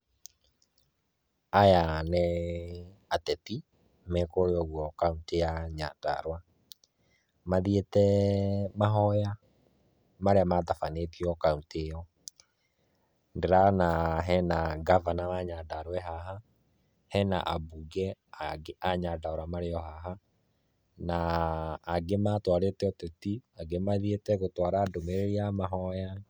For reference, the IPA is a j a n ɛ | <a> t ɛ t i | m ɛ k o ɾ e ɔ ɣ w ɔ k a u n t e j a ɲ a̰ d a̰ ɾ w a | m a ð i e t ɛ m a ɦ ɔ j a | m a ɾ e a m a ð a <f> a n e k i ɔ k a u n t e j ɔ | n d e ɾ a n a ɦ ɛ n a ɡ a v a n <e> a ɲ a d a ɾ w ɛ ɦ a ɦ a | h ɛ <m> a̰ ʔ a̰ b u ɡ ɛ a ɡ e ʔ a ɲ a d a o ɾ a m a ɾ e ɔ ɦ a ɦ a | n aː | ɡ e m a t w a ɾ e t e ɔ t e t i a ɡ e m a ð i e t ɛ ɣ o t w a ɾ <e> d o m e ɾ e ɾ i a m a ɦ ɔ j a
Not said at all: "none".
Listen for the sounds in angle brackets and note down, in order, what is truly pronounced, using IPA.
a, f, a, n, a

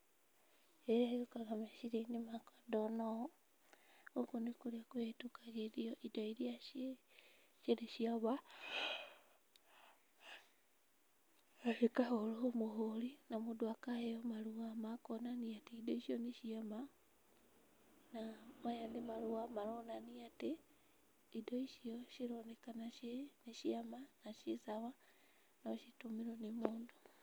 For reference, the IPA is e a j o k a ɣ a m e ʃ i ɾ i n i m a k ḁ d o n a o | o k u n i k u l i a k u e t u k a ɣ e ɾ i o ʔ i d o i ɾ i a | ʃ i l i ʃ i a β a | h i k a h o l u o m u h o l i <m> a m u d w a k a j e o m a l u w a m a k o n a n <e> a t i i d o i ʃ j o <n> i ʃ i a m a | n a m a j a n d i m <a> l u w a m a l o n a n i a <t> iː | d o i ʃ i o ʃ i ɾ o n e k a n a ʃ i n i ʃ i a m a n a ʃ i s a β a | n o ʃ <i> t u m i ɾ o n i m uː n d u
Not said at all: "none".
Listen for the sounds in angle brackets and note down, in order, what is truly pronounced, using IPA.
n, i, n, a, t, i

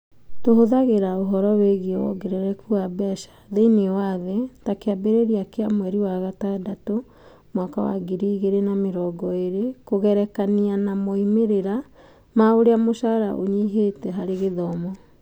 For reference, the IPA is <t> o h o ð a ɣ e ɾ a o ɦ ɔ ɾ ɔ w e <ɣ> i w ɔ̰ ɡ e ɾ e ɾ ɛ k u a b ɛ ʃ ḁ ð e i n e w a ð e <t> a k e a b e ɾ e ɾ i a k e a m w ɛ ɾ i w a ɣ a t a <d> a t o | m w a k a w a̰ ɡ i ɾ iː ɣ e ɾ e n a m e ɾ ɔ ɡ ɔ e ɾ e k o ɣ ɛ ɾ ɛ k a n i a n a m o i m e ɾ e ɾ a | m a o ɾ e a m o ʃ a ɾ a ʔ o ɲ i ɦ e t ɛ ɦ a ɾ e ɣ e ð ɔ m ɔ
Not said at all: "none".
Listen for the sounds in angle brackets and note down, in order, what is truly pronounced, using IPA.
t, ɣ, t, d

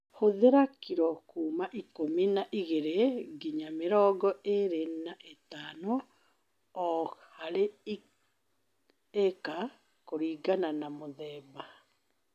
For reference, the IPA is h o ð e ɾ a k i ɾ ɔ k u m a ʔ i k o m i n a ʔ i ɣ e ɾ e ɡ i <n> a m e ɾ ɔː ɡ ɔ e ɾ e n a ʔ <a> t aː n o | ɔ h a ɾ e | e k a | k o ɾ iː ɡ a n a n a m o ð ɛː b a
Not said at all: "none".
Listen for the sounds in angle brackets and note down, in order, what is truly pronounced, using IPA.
ɲ, e

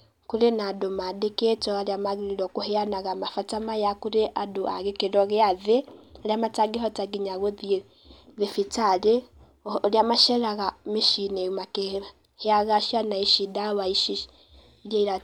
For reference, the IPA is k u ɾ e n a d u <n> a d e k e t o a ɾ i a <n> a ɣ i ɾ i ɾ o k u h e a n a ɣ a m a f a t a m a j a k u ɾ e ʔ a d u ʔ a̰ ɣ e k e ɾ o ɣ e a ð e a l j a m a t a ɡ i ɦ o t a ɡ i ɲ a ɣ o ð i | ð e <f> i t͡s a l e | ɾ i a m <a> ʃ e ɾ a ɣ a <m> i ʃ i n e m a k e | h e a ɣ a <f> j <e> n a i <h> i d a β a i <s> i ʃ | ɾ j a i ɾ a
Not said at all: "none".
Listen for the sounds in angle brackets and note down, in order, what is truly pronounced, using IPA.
m, m, f, a, m, ʃ, a, ʃ, ʃ

